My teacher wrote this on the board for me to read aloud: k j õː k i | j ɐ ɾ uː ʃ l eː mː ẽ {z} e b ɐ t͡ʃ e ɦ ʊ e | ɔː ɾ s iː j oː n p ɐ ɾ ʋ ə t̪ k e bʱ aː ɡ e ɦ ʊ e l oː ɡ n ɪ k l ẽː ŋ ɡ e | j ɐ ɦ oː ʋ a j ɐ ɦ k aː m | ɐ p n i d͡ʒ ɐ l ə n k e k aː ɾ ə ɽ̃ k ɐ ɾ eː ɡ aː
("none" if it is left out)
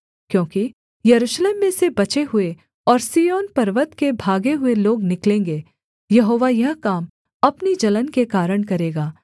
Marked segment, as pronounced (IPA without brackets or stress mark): s